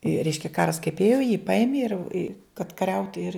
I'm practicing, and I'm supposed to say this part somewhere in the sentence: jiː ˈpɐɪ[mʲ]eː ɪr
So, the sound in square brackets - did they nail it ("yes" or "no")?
yes